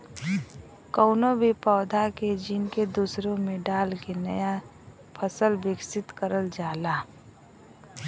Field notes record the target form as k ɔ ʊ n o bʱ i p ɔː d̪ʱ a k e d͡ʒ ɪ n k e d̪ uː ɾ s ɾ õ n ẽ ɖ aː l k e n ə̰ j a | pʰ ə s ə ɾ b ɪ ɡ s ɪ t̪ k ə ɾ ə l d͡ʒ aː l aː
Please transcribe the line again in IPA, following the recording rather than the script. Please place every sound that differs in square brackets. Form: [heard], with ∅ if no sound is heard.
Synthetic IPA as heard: k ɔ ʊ n o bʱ i p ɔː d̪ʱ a k e d͡ʒ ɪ n k e d̪ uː [∅] s ɾ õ [m] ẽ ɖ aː l k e n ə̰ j a | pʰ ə s ə [l] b ɪ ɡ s ɪ t̪ k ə ɾ ə l d͡ʒ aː l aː

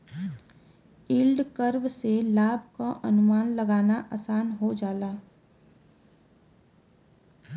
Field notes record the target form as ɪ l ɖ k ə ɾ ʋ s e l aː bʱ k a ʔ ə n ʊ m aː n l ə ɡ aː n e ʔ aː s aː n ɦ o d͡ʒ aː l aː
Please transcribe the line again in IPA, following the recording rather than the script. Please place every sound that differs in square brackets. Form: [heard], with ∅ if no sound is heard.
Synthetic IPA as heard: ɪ l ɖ k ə ɾ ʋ s e l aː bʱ k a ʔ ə n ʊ m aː n l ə ɡ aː n [a] ʔ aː s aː n ɦ o d͡ʒ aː l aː

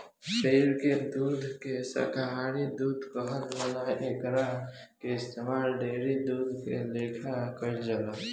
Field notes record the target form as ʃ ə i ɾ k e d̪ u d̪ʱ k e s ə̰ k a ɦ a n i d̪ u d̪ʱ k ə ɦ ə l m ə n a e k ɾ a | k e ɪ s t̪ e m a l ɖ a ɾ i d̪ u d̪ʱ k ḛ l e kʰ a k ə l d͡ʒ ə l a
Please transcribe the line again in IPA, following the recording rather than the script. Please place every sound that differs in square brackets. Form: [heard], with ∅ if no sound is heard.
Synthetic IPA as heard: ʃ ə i ɾ k e d̪ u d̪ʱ k e s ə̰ k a ɦ a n i d̪ u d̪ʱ k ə ɦ ə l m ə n a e k ɾ a | k e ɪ s t̪ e m a l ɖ [e] ɾ i d̪ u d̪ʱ k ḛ l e kʰ a k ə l d͡ʒ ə l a

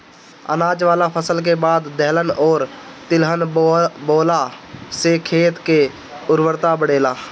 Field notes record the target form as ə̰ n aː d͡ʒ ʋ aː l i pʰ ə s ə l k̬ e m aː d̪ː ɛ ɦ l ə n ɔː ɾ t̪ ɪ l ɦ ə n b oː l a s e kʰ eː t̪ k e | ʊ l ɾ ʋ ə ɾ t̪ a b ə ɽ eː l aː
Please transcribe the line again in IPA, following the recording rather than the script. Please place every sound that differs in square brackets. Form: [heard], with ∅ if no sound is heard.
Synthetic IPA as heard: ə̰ n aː d͡ʒ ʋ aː l [a] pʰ ə s ə l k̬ e [b] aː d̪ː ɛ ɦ l ə n ɔː ɾ t̪ ɪ l ɦ ə n b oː l a s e kʰ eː t̪ k e | ʊ [∅] ɾ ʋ ə ɾ t̪ a b ə ɽ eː l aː

